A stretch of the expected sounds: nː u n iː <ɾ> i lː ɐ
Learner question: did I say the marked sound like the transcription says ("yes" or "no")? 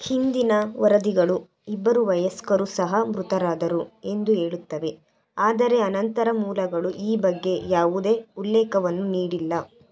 no